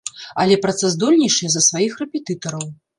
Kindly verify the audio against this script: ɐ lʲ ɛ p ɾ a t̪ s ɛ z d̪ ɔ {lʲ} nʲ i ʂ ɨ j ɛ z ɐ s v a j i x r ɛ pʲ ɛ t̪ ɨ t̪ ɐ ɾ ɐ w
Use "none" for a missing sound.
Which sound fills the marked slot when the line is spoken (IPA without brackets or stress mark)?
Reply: lʲ